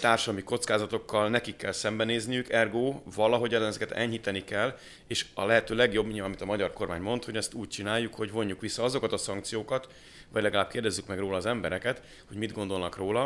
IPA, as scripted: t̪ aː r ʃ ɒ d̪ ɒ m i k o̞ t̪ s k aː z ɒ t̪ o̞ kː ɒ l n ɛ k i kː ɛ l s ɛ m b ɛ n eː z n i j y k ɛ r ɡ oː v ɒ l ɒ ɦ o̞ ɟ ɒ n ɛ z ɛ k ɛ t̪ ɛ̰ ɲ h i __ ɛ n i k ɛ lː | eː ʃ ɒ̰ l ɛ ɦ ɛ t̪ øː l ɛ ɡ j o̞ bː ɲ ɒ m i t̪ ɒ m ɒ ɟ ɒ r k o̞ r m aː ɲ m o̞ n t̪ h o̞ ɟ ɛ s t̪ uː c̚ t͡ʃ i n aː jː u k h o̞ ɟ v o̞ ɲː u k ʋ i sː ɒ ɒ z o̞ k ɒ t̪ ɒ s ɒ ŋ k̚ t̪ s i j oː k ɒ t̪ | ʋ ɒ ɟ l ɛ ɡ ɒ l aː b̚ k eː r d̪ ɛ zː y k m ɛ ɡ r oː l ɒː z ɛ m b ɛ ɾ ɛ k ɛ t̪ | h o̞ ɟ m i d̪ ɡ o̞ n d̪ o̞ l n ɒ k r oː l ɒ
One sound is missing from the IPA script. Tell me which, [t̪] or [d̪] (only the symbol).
t̪